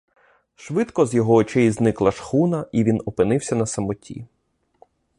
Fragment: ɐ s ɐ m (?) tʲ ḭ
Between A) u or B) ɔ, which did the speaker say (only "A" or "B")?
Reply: B